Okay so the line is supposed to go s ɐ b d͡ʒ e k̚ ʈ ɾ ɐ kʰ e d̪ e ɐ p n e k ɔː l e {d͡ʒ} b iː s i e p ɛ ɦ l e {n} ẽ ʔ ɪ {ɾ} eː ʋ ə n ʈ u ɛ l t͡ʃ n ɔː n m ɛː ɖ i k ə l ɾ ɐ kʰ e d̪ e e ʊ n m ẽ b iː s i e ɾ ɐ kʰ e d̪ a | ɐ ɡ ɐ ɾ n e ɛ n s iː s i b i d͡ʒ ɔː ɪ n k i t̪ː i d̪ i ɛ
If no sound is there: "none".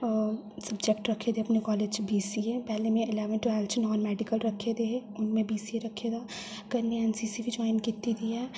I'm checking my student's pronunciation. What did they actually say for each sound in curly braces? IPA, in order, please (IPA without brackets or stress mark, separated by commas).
d͡ʒ, m, l